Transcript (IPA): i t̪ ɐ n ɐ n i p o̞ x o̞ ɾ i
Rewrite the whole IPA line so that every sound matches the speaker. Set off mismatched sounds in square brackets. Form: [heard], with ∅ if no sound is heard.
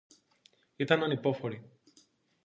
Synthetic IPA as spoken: i t̪ ɐ n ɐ n i p o̞ [f] o̞ ɾ i